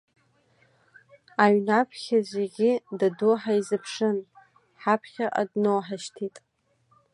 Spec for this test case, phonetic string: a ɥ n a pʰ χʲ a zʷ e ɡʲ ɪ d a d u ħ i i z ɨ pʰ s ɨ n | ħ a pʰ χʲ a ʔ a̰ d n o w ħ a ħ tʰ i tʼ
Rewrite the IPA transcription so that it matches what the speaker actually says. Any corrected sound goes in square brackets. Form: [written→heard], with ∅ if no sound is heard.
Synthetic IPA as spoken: a ɥ n a pʰ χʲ a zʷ e ɡʲ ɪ d a d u ħ [i→a] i z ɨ pʰ [s→ʂ] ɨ n | ħ a pʰ χʲ a ʔ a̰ d n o w ħ a [ħ→ʃ] tʰ i tʼ